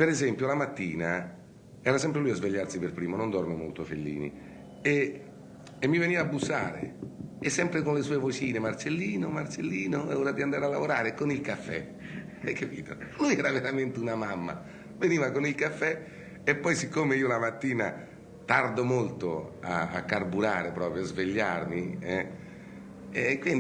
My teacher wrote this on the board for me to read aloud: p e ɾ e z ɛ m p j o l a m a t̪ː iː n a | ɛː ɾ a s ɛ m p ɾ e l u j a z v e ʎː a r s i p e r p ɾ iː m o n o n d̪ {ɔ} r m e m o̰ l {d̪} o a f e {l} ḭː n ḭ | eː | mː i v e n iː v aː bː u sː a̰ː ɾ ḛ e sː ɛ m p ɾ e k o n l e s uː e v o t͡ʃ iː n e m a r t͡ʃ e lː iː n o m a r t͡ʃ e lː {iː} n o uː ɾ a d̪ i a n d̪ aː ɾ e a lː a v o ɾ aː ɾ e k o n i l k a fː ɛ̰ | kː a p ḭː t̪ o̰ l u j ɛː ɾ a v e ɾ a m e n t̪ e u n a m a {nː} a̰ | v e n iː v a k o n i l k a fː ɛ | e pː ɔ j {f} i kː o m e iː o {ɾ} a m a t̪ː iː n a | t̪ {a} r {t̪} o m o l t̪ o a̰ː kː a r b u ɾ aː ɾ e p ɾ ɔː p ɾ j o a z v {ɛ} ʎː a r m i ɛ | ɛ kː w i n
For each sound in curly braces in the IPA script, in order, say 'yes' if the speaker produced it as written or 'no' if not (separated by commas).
yes, no, no, yes, no, no, no, yes, no, no